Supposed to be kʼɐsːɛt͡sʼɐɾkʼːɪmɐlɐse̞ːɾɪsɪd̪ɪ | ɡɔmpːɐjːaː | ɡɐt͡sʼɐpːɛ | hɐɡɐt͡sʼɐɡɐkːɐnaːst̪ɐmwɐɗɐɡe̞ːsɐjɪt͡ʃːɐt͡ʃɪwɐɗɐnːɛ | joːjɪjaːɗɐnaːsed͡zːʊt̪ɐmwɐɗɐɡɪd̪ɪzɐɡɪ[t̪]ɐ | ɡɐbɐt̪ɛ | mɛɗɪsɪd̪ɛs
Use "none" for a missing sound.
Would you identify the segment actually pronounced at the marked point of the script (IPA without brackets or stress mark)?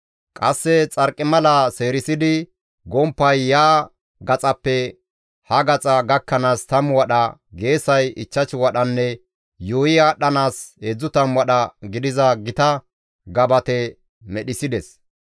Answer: t̪